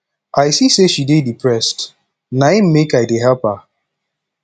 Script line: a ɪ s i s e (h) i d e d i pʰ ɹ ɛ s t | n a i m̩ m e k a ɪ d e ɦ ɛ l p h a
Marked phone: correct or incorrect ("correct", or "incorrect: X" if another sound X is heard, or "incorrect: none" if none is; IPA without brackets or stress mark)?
incorrect: ʃ